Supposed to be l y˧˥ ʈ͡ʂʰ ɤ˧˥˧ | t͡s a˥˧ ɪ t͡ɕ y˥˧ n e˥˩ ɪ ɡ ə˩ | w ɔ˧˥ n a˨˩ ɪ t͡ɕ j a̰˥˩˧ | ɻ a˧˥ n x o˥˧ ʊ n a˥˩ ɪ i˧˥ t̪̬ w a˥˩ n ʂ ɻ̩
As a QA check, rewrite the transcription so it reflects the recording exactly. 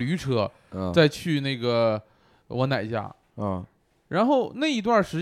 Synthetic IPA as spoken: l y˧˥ ʈ͡ʂʰ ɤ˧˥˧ | t͡s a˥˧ ɪ t͡ɕʰ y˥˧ n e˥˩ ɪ ɡ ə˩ | w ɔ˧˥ n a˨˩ ɪ t͡ɕ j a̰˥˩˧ | ɻ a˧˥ n x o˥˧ ʊ n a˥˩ ɪ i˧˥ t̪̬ w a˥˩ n ʂ ɻ̩